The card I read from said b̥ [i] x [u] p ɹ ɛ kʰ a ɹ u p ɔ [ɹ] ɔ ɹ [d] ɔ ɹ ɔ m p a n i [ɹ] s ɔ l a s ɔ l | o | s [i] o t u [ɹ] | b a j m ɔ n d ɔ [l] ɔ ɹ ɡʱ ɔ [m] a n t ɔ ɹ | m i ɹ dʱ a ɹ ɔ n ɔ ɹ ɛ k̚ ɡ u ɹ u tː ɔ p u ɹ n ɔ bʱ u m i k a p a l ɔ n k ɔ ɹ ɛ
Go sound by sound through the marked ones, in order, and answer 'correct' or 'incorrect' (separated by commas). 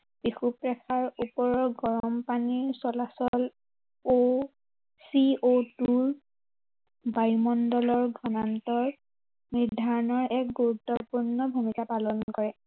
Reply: correct, correct, correct, incorrect, correct, correct, correct, correct, incorrect